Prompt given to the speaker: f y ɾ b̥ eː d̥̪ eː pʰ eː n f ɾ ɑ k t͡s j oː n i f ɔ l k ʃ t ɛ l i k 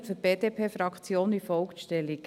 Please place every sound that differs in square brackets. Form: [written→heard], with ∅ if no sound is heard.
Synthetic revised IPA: f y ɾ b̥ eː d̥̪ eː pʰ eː [n→∅] f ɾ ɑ k t͡s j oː n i f ɔ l k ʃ t ɛ l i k